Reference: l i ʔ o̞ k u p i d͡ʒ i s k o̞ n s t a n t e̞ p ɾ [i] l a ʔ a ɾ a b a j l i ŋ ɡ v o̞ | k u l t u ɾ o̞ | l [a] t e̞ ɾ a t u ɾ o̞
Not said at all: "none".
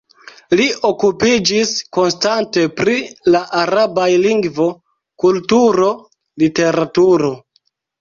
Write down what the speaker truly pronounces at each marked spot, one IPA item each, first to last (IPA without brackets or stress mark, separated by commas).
i, i